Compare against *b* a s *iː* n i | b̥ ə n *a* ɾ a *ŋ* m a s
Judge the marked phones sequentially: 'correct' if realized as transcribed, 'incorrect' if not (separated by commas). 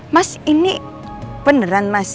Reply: incorrect, incorrect, incorrect, incorrect